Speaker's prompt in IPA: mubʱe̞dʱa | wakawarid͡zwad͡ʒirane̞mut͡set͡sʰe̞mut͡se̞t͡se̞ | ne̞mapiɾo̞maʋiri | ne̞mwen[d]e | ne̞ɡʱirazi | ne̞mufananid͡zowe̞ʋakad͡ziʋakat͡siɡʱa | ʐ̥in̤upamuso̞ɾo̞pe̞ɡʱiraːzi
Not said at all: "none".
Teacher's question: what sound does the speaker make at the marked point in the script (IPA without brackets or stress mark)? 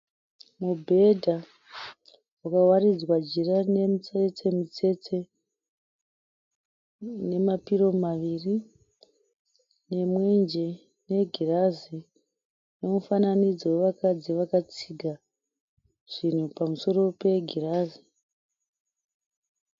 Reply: d͡ʒ